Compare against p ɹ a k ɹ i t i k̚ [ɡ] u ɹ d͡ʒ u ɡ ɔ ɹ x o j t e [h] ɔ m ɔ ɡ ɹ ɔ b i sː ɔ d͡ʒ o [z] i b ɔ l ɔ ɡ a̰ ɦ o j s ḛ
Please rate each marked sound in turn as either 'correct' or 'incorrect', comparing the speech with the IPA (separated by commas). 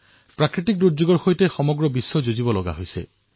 incorrect, incorrect, correct